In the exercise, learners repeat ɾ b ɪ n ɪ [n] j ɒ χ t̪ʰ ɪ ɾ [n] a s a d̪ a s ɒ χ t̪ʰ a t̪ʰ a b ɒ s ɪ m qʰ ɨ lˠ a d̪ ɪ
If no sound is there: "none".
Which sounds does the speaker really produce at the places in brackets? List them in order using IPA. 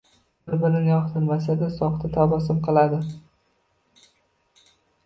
n, m

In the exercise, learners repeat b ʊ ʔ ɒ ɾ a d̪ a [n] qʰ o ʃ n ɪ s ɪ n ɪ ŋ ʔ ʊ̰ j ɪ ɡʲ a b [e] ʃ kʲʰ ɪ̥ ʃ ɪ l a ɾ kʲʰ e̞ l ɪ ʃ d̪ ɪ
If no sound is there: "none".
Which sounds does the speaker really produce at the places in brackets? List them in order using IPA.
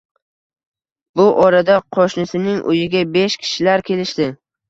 none, e

